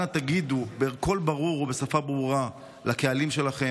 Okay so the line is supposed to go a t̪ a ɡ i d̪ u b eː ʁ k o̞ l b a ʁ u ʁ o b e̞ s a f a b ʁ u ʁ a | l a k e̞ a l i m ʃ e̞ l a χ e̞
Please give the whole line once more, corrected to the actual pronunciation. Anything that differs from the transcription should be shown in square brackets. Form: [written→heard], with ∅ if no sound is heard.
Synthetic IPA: a t̪ a ɡ i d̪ u b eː ʁ k o̞ l b a ʁ u ʁ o b e̞ s a f a b ʁ u ʁ a | l a k e̞ a l i m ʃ e̞ l a χ e̞